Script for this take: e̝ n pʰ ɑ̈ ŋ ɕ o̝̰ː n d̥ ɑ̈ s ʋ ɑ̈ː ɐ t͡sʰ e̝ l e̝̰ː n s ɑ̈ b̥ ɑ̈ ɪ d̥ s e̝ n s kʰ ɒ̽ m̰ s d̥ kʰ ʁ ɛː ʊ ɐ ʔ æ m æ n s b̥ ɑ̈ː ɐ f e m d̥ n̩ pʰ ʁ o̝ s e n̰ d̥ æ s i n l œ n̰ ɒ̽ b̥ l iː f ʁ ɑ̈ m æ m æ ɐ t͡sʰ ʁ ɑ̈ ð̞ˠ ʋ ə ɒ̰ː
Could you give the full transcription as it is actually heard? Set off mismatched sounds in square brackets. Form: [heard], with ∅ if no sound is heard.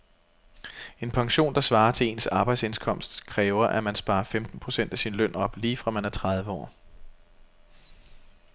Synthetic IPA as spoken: e̝ n pʰ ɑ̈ ŋ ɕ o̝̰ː n d̥ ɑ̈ s ʋ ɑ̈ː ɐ t͡sʰ e̝ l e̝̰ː n s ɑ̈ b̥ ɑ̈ ɪ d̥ s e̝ n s kʰ ɒ̽ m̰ s d̥ kʰ ʁ ɛː ʊ ɐ ʔ æ m æ n s b̥ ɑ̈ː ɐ f e m d̥ n̩ pʰ ʁ o̝ s e n̰ d̥ æ s i n l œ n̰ ɒ̽ b̥ l iː f ʁ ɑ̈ m æ [n] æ ɐ t͡sʰ ʁ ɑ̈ ð̞ˠ ʋ ə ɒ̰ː